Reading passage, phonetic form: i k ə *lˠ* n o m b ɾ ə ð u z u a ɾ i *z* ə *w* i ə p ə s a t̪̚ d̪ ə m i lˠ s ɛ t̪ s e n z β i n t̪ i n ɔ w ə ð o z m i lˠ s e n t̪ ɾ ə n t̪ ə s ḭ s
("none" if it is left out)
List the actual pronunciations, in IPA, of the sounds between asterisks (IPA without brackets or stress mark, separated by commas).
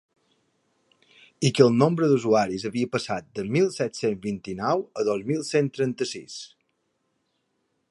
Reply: lˠ, z, β